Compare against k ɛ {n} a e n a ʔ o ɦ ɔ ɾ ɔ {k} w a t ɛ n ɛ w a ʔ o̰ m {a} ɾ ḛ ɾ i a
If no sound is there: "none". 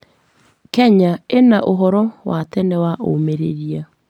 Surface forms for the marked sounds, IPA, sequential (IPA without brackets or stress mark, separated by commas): ɲ, none, e